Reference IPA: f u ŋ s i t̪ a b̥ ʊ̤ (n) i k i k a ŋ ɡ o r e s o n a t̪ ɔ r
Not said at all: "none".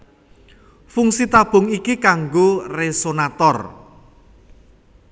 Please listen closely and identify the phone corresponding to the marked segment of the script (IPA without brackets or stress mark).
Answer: ŋ